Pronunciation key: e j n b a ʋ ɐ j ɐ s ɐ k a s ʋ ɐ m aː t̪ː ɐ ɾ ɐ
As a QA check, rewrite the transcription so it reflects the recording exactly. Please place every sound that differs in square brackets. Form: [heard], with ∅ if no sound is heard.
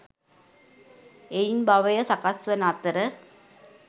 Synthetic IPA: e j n b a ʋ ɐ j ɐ s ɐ k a s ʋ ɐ [n] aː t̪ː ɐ ɾ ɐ